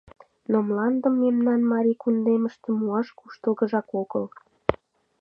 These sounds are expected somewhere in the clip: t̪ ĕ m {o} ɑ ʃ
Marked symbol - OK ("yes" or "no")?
no